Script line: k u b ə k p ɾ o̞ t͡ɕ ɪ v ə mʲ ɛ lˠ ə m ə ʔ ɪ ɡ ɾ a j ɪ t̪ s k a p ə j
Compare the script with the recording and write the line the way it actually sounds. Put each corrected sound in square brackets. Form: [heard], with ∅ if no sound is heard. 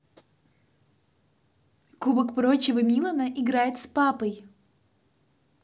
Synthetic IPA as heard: k u b ə k p ɾ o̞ t͡ɕ ɪ v ə mʲ [i] lˠ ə [n] ə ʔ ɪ ɡ ɾ a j ɪ t̪ s [p] a p ə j